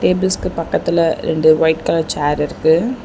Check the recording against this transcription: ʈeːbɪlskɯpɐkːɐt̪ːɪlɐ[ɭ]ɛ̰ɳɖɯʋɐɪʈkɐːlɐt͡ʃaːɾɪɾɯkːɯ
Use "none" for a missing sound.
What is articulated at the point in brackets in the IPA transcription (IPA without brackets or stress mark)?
ɾ